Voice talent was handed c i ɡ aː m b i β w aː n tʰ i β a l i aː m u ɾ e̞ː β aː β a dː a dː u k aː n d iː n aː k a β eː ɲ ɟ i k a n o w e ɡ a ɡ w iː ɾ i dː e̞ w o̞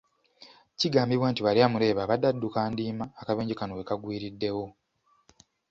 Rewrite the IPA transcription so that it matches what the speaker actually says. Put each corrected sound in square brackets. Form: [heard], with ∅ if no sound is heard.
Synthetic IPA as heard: c i ɡ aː m b i β w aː n [t] i β a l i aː m u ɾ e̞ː β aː β a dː a dː u k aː n d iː [m] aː k a β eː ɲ ɟ i k a n o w e [k] a ɡ w iː ɾ i dː e̞ w o̞